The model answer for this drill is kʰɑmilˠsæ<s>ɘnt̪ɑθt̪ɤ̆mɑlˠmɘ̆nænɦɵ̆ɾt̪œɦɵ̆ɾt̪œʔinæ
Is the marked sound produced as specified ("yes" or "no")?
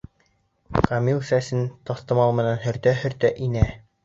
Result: yes